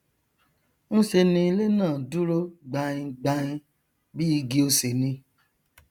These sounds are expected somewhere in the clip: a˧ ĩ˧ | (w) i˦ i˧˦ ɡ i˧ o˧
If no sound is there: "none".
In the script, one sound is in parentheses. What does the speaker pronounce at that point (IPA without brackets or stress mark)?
b